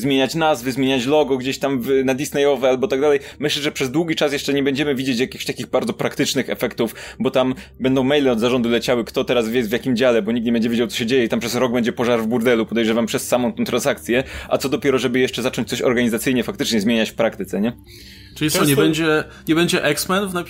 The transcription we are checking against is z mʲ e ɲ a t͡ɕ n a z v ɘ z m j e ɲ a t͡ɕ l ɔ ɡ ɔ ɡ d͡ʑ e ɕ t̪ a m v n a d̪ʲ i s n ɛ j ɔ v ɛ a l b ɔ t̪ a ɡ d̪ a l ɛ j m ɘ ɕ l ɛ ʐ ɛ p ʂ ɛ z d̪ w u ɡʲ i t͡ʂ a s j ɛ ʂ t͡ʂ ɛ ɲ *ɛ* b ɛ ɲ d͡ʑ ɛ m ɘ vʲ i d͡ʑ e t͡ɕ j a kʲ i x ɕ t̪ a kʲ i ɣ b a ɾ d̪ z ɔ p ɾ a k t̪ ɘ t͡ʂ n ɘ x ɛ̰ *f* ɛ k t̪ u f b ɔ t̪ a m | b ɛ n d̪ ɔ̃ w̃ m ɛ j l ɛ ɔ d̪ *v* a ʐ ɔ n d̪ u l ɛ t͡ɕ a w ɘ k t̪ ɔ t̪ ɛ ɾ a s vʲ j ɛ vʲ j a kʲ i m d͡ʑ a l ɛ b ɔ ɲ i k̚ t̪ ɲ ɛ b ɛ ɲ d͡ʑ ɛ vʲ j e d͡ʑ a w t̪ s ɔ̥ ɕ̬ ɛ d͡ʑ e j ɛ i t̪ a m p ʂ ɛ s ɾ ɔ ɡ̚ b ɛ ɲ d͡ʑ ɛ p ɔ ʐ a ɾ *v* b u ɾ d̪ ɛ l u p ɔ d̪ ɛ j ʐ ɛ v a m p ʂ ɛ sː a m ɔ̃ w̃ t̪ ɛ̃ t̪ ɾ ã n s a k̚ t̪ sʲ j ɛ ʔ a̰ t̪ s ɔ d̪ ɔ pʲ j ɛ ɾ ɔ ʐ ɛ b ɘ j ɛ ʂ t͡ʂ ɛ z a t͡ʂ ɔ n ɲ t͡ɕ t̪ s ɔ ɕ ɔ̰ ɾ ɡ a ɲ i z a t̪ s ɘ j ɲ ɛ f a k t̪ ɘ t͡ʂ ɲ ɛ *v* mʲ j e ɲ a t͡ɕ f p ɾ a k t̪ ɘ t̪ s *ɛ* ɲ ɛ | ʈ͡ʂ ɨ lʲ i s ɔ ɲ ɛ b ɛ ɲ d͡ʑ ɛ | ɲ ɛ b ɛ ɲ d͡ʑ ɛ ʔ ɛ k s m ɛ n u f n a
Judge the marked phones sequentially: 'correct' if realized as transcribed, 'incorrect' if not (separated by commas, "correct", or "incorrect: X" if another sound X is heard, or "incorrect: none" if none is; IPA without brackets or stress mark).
correct, correct, incorrect: z, correct, incorrect: z, correct